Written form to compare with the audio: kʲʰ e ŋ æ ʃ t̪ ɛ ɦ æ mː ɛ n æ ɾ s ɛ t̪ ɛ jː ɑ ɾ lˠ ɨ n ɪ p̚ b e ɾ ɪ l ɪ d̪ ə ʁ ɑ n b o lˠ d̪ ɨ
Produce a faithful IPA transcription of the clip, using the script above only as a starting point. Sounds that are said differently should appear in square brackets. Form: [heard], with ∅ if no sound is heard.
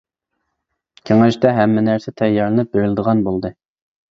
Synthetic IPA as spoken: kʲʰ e ŋ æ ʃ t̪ ɛ ɦ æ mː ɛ n æ ɾ s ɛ [t̪ʰ] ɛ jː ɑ ɾ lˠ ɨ n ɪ p̚ b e ɾ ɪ l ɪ d̪ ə ʁ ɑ n b o lˠ d̪ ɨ